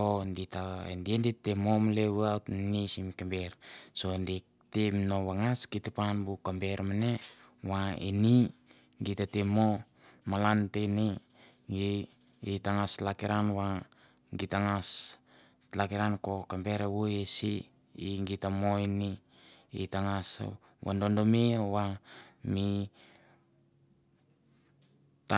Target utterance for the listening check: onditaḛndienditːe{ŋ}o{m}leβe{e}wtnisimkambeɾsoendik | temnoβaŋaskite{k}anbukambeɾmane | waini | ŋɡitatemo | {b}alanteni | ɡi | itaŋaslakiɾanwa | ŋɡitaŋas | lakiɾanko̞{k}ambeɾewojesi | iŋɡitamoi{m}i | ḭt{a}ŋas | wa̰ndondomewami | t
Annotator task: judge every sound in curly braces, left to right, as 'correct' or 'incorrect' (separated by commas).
incorrect, correct, incorrect, incorrect, incorrect, correct, incorrect, correct